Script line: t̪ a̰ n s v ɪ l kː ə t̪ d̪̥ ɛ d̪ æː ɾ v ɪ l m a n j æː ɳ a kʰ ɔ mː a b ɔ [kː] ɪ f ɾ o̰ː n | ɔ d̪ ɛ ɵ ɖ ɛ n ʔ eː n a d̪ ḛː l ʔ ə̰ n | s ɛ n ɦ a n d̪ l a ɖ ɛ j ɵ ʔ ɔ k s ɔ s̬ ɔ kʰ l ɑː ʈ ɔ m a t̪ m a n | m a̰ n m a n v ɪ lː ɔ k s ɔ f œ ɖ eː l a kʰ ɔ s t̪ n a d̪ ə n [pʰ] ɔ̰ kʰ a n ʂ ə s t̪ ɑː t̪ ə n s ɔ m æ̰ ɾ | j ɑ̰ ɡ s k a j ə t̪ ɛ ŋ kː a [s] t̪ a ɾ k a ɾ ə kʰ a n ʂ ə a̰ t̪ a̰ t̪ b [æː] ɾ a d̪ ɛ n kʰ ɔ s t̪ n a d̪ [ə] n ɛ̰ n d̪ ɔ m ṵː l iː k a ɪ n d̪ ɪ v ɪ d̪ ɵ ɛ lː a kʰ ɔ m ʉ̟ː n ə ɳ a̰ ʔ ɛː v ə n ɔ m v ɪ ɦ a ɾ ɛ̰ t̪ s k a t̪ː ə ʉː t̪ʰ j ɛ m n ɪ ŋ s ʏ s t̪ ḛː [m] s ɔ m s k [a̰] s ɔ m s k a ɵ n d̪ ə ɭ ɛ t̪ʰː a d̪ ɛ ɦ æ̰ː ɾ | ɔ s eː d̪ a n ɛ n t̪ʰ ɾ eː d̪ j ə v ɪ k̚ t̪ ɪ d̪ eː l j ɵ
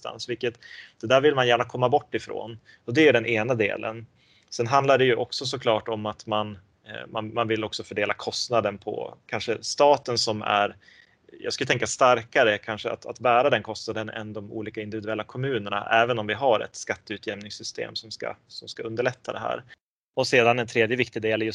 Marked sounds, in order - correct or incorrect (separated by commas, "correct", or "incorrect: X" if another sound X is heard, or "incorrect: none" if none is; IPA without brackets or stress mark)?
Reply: incorrect: ʈː, correct, correct, correct, correct, correct, correct